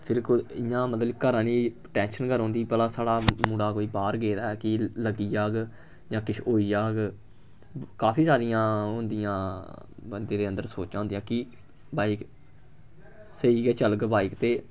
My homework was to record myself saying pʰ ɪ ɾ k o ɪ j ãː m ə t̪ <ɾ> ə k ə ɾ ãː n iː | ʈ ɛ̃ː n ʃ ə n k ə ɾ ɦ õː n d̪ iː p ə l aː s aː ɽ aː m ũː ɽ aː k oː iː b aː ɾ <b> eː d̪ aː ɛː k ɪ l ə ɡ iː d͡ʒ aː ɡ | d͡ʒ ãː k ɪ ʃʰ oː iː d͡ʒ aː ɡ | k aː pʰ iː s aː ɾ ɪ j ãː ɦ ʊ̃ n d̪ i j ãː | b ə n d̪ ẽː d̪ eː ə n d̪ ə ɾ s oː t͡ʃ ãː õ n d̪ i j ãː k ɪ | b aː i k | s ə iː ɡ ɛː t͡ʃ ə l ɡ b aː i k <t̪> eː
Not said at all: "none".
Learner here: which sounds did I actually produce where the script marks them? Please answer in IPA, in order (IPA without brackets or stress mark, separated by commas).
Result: l, ɡ, t̪